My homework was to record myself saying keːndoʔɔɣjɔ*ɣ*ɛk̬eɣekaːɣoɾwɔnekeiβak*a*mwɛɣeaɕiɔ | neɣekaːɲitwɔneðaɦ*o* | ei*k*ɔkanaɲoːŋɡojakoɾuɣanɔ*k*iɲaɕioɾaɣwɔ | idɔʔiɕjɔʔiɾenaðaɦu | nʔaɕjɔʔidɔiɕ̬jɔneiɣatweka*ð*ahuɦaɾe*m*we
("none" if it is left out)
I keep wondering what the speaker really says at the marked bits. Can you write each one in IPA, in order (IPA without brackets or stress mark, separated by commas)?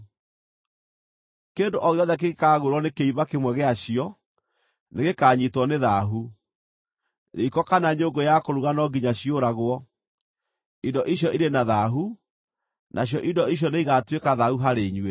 ð, e, u, k, ɡ, ð, ɲ